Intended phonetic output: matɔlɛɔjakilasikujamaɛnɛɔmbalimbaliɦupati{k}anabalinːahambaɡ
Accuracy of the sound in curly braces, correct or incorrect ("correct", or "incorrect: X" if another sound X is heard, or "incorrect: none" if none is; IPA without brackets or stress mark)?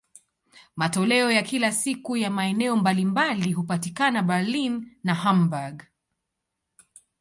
correct